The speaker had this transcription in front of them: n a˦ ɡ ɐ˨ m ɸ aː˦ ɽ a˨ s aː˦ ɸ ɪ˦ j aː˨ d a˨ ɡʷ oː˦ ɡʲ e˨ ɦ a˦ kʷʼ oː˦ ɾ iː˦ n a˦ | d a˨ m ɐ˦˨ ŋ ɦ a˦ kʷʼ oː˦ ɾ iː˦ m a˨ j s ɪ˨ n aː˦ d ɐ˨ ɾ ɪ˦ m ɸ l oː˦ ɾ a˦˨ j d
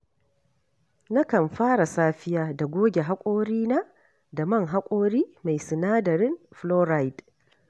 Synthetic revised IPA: n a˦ k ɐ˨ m ɸ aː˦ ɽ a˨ s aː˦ ɸ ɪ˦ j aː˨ d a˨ ɡʷ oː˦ ɡʲ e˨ ɦ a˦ kʷʼ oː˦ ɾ iː˦ n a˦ | d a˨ m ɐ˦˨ ŋ ɦ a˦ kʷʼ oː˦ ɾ iː˦ m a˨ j s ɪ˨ n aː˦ d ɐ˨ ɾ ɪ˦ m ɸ l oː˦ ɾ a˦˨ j d